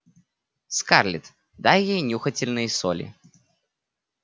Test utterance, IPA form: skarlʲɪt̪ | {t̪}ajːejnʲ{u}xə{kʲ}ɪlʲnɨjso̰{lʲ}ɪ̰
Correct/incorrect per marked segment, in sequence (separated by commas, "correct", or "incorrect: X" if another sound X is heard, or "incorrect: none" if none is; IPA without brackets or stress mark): incorrect: d̪, correct, incorrect: tʲ, correct